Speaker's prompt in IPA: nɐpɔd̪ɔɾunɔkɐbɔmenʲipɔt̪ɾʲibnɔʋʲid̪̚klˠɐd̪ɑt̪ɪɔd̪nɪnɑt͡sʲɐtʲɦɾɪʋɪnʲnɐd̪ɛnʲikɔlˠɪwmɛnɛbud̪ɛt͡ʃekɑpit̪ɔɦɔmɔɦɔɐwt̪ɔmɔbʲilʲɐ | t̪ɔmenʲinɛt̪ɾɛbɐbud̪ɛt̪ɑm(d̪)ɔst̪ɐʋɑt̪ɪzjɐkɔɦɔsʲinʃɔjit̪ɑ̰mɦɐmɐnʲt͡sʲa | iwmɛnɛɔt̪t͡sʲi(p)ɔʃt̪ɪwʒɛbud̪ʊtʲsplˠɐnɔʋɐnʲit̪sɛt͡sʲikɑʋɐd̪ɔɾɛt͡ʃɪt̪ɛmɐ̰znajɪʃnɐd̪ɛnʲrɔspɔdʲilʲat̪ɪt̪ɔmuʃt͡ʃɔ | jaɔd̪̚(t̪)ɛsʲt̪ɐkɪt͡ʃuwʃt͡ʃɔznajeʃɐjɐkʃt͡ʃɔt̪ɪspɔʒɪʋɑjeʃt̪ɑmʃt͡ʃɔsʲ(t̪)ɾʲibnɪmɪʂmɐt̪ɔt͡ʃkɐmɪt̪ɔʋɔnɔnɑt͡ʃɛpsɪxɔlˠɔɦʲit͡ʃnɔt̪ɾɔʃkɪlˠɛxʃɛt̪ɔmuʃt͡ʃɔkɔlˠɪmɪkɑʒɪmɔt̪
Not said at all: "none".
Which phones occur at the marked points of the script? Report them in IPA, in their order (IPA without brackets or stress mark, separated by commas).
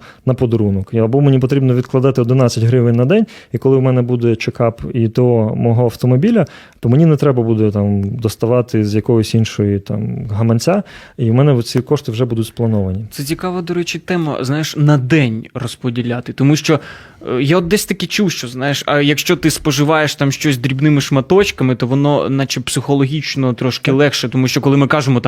d̪, k, d̪, d̪